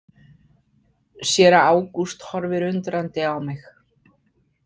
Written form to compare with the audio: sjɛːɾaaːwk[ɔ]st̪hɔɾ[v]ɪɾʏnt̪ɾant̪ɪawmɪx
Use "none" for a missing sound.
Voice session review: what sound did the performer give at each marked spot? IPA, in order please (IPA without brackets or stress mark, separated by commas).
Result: u, v